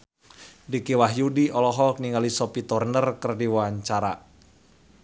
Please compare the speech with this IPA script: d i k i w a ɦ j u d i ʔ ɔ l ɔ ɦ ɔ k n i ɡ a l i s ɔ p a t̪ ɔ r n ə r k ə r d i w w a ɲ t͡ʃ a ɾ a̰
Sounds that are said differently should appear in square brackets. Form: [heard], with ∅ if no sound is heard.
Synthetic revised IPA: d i k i w a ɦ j u d i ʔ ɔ l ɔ ɦ ɔ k n i [ŋ] a l i s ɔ p [i] t̪ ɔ r n ə r k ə r d i w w a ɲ t͡ʃ a ɾ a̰